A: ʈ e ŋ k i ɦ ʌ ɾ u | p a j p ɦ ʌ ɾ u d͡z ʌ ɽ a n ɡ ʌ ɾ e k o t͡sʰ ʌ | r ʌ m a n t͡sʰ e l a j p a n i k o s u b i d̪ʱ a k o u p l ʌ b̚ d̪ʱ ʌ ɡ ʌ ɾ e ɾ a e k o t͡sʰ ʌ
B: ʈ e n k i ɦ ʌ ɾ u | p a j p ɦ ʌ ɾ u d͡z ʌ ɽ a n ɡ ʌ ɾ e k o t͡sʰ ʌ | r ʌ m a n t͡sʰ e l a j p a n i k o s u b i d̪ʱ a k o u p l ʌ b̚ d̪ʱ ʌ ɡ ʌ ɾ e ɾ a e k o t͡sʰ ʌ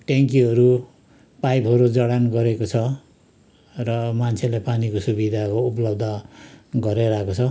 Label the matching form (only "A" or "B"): A